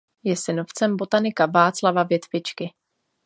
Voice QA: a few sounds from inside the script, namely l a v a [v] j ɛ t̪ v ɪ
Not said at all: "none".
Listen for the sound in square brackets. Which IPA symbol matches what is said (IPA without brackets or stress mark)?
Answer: v